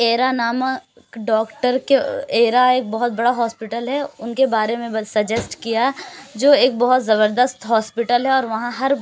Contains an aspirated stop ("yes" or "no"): no